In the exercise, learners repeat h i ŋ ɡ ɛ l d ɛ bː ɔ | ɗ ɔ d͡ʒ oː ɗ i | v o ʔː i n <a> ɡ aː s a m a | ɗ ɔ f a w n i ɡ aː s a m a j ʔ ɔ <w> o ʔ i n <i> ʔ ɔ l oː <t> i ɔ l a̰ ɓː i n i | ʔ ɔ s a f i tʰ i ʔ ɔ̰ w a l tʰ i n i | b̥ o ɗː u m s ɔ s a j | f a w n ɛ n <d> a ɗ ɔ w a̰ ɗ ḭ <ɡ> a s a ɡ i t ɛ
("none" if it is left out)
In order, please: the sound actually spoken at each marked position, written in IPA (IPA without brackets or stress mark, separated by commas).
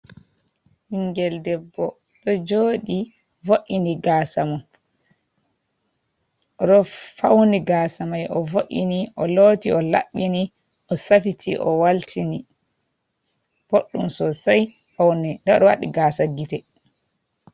i, v, i, t, d, ɡ